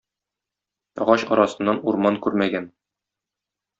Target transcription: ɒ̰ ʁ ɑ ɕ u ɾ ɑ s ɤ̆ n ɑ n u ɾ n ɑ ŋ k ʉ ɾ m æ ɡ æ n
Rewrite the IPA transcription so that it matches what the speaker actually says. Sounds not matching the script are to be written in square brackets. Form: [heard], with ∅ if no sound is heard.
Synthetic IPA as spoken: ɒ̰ ʁ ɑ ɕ [ɒ] ɾ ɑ s ɤ̆ [nː] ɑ n u ɾ [m] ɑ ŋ k ʉ ɾ m æ ɡ æ n